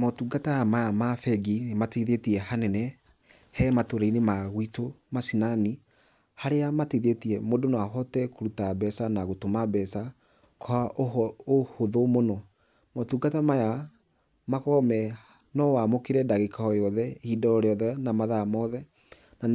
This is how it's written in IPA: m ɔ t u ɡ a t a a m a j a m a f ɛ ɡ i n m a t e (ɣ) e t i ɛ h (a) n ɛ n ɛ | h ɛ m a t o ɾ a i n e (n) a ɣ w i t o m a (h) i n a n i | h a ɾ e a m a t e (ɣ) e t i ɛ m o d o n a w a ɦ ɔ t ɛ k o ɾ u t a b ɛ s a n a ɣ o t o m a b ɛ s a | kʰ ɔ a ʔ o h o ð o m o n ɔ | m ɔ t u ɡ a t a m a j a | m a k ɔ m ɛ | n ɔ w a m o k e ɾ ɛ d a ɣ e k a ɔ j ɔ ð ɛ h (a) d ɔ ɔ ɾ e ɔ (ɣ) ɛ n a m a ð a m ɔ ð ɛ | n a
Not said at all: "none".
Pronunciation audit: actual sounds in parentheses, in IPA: ð, a, m, s, ð, i, ð

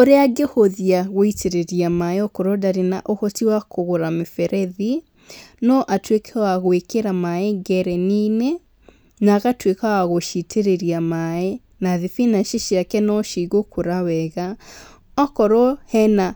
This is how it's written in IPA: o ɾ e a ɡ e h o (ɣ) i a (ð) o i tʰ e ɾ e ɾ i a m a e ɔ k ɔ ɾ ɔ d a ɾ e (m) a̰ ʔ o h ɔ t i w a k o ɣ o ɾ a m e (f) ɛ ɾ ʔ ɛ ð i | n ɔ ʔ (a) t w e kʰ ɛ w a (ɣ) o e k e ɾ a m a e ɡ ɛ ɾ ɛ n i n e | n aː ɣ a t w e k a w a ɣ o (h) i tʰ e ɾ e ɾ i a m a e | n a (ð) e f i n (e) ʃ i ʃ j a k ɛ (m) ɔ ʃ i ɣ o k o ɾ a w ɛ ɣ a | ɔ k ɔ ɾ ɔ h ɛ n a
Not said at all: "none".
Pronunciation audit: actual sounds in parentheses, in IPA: ð, ɣ, n, f, a, ɣ, ʃ, ð, a, n

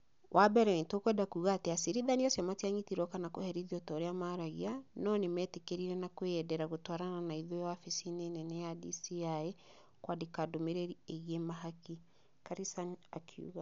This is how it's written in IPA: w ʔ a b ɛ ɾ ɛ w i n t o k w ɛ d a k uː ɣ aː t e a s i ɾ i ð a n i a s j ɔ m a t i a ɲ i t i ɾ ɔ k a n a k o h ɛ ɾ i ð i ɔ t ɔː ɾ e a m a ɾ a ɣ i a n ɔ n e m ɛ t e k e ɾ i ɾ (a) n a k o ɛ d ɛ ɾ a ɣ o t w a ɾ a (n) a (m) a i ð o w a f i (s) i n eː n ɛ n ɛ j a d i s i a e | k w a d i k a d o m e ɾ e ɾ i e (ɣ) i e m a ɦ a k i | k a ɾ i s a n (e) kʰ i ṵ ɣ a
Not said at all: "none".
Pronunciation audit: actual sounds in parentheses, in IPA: ɛ, n, n, s, ɣ, a

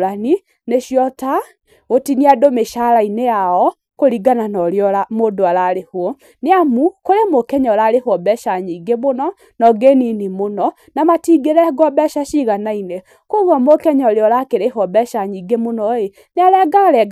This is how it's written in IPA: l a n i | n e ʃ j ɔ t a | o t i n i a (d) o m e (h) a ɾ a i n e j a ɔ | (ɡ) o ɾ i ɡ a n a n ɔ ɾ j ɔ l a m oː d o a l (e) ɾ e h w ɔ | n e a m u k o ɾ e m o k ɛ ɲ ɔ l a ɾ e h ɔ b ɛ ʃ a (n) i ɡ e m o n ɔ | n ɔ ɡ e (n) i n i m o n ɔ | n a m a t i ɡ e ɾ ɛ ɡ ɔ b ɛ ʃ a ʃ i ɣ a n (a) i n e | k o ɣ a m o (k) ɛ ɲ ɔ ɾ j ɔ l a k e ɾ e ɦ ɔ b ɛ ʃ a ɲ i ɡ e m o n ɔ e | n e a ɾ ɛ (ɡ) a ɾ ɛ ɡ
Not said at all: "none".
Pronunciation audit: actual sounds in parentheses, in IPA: d, ʃ, k, a, ɲ, n, a, k, ɡ

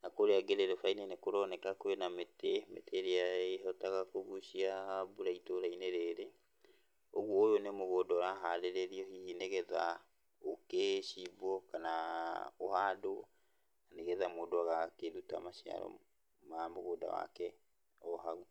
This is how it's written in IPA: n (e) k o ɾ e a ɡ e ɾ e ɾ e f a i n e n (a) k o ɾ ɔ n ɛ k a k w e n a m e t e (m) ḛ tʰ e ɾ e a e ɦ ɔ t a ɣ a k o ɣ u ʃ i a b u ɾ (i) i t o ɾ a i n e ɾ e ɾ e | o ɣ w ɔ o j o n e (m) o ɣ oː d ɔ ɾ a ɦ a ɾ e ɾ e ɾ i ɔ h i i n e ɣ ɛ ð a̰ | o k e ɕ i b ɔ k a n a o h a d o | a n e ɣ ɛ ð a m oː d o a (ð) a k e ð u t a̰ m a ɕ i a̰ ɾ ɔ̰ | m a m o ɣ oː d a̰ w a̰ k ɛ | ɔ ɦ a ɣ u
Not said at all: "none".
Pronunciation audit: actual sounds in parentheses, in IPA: a, e, m, a, m, ɣ

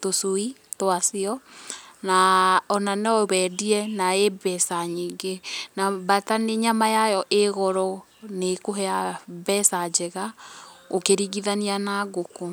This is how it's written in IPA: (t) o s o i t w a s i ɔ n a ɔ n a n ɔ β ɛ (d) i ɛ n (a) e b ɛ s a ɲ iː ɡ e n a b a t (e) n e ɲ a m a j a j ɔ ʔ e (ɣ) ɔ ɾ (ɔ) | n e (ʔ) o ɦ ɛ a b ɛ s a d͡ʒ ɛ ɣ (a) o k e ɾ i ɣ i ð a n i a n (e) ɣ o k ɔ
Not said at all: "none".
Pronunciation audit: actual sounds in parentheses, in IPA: t, d, a, a, ɣ, ɔ, k, a, a

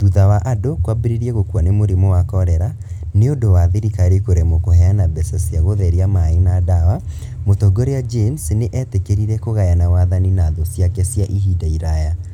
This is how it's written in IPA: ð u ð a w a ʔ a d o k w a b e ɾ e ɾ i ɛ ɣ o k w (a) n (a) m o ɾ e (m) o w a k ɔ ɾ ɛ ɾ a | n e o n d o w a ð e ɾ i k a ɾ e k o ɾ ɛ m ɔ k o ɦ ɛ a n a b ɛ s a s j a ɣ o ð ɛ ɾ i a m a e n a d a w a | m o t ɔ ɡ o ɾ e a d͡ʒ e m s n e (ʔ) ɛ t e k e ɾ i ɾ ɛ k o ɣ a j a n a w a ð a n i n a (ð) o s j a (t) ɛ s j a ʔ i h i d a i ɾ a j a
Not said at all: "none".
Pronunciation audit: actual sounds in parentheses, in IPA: a, e, m, ʔ, ð, k

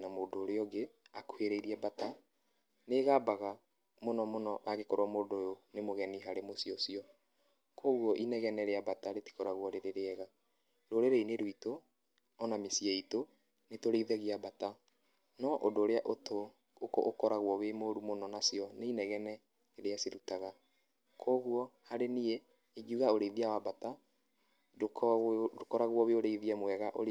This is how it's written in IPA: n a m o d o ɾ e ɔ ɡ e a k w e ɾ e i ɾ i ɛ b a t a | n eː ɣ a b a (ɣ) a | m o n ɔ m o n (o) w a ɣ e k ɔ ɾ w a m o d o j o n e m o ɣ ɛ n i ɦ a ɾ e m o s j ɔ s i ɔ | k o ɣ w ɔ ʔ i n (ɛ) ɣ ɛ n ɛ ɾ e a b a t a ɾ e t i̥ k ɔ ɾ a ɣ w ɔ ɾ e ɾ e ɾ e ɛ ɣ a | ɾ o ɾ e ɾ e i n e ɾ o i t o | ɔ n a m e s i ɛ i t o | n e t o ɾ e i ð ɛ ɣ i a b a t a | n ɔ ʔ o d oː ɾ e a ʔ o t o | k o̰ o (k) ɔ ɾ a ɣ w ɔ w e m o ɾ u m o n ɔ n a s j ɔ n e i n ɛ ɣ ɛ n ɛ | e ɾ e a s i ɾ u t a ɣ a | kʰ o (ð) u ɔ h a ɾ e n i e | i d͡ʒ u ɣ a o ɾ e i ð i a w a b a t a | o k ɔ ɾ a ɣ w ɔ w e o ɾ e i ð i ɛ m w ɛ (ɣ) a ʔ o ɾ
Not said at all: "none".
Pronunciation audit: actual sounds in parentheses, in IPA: ɣ, ɔ, ɛ, k, ɣ, ɣ

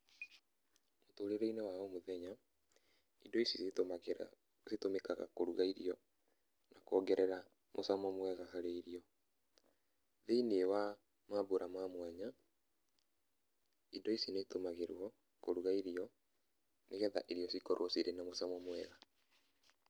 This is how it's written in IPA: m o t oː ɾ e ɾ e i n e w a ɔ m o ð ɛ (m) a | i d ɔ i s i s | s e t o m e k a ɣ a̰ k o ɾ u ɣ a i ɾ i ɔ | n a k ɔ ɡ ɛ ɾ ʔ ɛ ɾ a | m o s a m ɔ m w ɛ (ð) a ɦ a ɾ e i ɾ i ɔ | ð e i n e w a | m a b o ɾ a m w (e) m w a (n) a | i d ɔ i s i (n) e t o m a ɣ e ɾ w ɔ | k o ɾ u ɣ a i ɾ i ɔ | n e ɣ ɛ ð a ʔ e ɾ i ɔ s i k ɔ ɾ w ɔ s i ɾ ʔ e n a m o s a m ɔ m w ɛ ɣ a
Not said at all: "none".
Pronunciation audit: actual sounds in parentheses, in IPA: ɲ, ɣ, a, ɲ, n

